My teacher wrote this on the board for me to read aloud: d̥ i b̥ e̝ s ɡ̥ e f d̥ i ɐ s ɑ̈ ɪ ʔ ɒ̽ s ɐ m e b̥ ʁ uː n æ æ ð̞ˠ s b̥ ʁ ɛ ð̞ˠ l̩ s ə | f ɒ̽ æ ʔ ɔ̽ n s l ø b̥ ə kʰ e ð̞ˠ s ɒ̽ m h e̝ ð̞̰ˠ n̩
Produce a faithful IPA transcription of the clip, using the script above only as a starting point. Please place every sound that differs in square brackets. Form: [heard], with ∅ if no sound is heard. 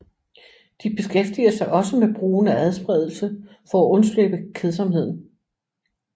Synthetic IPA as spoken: d̥ i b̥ e̝ s ɡ̥ e f d̥ i ɐ s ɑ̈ ɪ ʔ ɒ̽ s [ə] m e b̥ ʁ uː n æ æ ð̞ˠ s b̥ ʁ ɛ ð̞ˠ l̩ s ə | f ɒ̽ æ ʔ ɔ̽ n s l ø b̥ ə kʰ e ð̞ˠ s ɒ̽ m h e̝ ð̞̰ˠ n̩